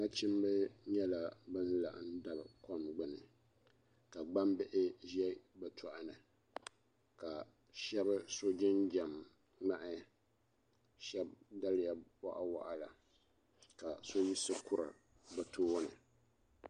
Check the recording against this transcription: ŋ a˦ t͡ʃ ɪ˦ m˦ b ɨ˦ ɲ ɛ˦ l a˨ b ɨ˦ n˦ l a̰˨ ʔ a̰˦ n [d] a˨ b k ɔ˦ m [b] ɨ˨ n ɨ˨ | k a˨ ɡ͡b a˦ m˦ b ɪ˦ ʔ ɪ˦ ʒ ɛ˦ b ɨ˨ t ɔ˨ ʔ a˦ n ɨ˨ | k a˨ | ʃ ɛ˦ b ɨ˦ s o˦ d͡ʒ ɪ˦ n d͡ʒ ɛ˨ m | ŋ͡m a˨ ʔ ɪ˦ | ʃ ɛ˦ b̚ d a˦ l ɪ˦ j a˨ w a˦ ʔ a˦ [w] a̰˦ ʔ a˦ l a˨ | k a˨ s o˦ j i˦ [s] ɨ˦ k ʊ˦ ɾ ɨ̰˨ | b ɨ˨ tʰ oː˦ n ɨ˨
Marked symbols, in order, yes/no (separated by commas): yes, no, yes, yes